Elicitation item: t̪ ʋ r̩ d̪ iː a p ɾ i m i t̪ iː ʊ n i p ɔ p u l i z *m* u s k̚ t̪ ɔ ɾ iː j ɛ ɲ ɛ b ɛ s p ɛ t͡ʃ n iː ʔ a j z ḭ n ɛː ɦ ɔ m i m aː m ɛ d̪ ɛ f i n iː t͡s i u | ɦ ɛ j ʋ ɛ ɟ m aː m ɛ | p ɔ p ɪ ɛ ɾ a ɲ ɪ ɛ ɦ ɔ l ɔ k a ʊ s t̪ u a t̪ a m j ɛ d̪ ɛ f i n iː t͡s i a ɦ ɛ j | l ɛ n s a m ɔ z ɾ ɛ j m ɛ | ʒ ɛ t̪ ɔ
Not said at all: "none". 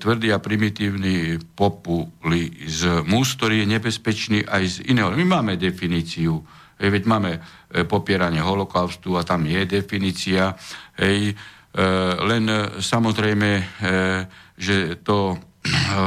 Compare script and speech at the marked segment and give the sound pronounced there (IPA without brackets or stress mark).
m